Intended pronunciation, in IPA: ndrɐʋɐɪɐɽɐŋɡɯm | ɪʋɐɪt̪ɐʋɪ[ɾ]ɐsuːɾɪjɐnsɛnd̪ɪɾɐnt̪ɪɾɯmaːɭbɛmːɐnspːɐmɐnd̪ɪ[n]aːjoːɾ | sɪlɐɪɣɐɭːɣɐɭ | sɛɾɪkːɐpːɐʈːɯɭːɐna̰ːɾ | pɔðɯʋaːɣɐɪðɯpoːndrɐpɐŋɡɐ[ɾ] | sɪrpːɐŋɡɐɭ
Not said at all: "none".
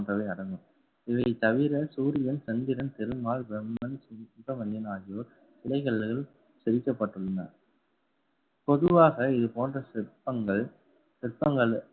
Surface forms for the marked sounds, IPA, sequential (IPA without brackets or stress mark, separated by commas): ɾ, n, ɭ